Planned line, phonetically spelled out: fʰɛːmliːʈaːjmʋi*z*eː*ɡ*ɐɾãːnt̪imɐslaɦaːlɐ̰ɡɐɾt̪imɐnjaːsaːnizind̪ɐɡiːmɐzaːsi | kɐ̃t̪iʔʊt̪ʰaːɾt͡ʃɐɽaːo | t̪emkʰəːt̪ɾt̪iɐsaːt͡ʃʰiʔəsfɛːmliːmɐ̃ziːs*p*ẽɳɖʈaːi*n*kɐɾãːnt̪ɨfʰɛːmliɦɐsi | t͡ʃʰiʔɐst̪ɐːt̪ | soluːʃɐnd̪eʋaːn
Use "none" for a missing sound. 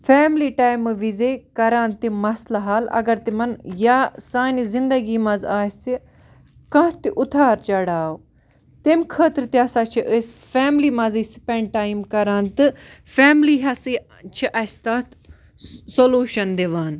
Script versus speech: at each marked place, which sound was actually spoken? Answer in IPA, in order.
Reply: z, k, p, m

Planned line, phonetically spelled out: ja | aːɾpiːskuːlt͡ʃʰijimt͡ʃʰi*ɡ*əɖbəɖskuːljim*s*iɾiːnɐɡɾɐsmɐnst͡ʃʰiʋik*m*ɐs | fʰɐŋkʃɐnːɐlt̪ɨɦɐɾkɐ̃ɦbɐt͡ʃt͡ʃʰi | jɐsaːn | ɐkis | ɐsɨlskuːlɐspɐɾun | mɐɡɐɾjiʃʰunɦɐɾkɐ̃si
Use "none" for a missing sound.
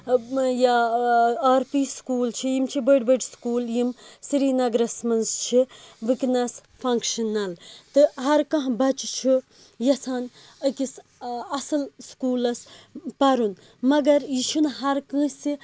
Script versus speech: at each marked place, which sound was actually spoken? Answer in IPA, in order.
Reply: b, s, n

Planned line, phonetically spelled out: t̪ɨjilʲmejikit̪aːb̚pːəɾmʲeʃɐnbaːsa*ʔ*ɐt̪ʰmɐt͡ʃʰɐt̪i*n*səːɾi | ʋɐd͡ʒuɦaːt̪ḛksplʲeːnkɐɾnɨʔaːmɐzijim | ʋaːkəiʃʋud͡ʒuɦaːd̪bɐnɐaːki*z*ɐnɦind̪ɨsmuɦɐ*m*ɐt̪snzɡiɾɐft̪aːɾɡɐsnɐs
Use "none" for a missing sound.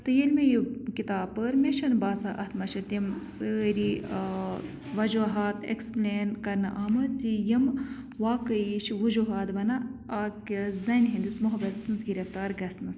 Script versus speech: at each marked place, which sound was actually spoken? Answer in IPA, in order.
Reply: ʔ, m, z, b

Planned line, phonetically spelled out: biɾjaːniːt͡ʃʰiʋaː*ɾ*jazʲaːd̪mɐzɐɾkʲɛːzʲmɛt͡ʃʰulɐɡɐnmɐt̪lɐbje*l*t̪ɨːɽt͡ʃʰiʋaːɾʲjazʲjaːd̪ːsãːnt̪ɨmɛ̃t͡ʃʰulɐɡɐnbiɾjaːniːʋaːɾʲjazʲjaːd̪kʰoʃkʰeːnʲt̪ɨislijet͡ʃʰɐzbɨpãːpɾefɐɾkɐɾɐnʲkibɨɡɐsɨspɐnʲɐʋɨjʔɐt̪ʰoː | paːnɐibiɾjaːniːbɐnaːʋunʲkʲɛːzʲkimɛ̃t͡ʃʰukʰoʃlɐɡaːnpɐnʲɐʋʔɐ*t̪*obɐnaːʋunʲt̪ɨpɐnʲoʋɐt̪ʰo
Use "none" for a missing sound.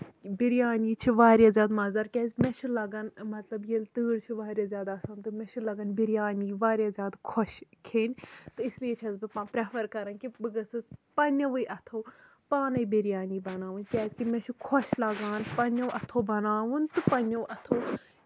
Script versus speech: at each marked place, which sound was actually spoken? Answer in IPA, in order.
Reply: ɾ, l, t̪ʰ

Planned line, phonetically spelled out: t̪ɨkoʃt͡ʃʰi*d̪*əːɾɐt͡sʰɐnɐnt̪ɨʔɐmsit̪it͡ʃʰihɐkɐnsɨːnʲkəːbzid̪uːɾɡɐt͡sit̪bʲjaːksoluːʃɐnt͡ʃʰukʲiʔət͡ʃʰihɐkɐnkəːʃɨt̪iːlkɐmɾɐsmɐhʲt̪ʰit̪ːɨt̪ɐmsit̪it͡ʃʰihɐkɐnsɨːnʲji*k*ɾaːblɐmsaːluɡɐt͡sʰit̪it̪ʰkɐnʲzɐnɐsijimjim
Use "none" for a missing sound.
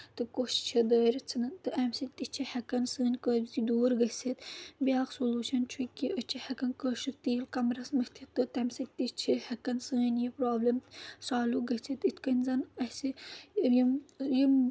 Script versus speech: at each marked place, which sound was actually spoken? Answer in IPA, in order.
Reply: d̪, p

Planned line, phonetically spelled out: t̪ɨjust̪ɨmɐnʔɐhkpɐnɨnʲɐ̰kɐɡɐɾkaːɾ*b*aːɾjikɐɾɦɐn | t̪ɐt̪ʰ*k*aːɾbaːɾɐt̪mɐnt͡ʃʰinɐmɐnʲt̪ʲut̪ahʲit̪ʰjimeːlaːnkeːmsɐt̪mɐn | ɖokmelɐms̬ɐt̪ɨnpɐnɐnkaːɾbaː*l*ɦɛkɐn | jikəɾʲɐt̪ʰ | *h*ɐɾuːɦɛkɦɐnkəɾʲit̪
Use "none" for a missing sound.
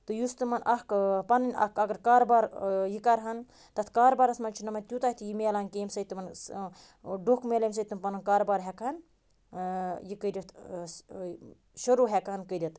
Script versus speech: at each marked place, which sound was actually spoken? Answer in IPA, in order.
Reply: b, k, ɾ, ʃ

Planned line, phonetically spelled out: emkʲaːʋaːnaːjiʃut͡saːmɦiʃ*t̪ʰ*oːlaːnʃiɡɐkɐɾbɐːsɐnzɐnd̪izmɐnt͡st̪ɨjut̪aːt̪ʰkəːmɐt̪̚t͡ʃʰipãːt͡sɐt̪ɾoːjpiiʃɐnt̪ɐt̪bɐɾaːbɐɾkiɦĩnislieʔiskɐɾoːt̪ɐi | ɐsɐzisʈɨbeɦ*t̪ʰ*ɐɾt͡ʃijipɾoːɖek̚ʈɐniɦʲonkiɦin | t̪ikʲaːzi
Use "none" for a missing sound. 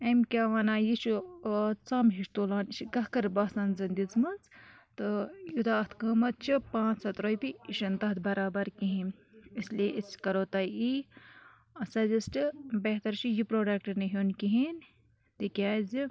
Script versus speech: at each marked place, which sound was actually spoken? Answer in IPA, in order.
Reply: t̪, t̪

